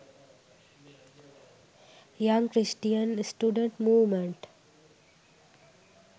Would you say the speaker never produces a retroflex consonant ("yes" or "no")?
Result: no